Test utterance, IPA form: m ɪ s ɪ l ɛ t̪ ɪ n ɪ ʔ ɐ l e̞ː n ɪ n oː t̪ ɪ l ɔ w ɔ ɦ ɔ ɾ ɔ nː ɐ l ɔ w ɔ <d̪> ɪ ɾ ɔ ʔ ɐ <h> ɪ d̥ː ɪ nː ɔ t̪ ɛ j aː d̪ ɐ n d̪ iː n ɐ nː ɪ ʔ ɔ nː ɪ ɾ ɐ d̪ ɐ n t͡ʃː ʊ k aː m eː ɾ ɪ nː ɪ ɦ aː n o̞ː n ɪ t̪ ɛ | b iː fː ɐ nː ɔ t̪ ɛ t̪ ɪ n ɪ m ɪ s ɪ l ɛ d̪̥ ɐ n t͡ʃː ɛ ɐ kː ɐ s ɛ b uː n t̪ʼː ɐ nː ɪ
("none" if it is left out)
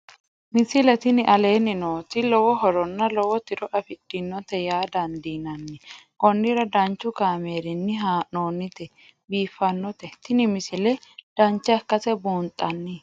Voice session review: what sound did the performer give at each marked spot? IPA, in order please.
t̪, f

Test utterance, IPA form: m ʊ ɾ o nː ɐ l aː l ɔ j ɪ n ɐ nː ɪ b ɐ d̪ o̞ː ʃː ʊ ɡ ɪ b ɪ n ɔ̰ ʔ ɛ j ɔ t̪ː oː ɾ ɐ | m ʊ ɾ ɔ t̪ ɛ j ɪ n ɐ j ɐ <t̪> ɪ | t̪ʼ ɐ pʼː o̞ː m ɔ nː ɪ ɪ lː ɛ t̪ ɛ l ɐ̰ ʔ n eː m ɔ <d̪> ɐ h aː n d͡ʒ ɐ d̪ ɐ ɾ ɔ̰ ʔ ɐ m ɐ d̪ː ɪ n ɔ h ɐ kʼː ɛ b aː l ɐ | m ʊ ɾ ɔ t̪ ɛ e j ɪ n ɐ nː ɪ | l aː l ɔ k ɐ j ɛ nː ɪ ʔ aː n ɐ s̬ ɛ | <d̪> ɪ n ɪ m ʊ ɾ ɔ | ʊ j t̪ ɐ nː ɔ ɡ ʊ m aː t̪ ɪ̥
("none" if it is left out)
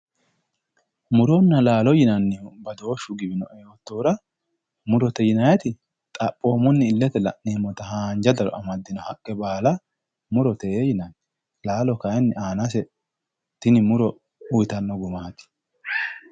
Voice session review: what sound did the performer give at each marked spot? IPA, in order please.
t̪, t̪, t̪

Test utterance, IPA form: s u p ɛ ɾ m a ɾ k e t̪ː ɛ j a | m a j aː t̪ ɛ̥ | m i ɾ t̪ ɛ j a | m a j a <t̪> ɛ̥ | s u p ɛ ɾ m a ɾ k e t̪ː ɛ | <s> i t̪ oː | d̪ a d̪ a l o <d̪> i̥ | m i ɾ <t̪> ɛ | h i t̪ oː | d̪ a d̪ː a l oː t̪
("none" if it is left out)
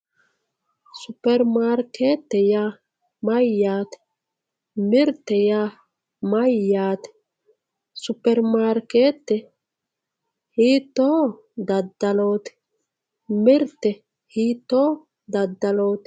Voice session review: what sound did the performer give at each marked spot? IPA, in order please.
t̪, h, t̪, t̪

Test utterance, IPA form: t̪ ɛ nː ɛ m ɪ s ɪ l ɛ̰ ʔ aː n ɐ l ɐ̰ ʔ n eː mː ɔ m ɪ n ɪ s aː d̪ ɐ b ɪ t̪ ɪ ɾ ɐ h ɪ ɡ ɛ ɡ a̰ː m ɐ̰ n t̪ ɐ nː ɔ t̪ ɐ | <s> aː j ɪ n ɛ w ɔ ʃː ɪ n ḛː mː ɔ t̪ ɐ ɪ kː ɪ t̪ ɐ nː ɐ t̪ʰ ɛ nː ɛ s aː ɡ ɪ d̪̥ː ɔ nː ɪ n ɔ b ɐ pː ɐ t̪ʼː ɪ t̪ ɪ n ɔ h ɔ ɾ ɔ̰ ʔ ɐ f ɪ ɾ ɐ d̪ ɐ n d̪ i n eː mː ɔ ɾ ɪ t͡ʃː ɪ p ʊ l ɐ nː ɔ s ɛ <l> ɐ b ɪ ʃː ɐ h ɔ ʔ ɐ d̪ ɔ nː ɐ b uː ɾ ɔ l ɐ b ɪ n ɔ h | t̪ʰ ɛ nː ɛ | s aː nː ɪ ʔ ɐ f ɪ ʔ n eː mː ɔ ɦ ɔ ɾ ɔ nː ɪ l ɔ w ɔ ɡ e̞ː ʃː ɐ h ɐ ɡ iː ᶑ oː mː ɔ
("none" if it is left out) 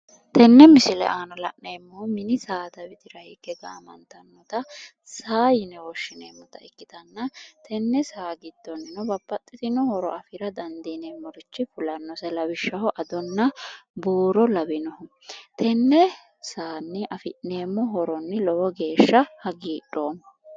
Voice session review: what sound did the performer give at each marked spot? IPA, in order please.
s, l

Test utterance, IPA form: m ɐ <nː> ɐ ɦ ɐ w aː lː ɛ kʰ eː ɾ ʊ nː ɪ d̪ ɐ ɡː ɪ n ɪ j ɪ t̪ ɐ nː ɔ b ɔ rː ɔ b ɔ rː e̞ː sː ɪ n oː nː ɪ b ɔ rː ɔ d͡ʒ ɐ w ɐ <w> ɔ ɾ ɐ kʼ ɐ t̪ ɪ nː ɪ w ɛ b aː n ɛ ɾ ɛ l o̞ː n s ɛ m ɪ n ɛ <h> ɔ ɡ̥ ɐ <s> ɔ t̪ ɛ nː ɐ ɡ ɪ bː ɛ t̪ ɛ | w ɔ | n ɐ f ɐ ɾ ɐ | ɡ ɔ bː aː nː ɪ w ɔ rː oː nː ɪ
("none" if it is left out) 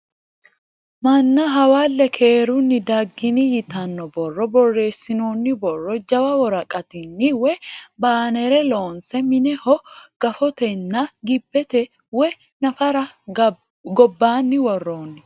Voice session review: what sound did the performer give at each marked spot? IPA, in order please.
nː, w, h, f

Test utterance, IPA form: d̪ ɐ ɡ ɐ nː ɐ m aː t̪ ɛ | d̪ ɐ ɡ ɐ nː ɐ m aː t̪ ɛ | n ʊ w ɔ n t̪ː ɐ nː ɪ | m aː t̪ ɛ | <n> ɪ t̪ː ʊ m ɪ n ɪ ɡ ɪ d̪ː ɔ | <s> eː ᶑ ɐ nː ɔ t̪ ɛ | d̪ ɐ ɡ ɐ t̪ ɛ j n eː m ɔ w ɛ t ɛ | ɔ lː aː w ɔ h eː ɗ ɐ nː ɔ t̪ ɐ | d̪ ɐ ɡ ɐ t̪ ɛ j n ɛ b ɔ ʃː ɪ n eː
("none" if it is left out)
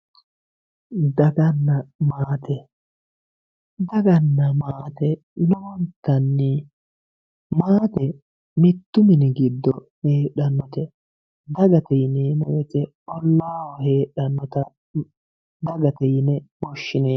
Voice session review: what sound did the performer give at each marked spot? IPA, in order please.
m, h

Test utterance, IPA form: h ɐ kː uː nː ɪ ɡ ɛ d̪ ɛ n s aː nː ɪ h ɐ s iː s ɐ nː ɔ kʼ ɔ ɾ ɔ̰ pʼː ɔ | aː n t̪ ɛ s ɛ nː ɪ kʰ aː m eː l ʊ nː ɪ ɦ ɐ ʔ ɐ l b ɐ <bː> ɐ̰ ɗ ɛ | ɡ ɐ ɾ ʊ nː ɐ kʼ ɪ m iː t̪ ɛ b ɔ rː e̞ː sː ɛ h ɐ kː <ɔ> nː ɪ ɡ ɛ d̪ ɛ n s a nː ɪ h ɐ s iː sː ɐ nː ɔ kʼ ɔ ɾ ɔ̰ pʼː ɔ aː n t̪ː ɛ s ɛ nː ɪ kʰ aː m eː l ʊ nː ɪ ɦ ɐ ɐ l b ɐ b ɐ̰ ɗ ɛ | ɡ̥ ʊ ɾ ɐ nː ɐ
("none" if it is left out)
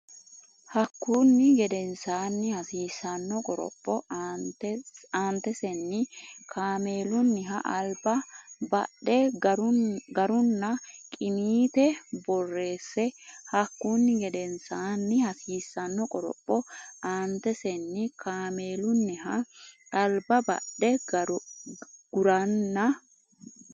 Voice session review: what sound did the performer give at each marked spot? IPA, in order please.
b, u

